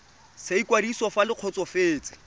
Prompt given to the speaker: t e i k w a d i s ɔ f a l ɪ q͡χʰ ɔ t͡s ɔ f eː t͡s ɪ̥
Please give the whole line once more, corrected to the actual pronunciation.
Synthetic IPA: s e i k w a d i s ɔ f a l ɪ q͡χʰ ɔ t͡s ɔ f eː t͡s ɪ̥